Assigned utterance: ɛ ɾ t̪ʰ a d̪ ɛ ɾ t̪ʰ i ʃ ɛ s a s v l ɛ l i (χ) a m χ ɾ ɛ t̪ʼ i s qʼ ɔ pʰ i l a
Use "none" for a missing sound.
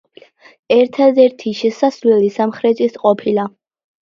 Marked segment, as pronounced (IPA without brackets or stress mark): s